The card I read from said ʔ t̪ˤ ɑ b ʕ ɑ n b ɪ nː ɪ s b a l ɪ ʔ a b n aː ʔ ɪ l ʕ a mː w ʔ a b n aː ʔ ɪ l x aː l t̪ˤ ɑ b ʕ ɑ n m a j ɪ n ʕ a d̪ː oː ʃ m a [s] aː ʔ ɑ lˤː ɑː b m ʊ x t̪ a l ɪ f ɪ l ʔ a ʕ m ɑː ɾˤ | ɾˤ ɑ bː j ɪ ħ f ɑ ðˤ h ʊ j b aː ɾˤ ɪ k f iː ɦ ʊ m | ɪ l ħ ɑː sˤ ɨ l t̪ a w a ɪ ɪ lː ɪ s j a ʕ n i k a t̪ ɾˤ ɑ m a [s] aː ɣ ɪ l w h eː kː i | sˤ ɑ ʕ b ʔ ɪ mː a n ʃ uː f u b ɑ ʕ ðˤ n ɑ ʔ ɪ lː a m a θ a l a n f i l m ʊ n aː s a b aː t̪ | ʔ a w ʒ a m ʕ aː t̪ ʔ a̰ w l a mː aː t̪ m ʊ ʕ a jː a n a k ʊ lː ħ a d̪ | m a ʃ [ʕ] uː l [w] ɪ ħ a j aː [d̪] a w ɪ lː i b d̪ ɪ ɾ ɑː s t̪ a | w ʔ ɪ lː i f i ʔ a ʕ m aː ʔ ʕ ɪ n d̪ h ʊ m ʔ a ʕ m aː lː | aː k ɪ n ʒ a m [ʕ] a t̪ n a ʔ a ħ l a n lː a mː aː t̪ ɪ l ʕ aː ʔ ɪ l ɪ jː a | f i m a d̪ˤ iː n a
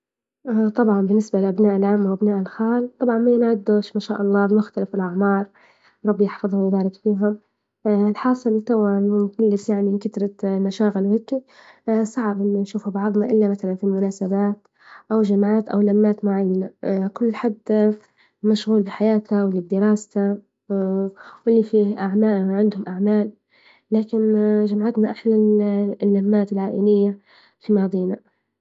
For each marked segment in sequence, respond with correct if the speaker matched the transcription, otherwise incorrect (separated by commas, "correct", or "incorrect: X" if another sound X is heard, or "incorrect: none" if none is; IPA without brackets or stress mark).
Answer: incorrect: ʃ, incorrect: ʃ, incorrect: ɣ, incorrect: b, incorrect: t̪, correct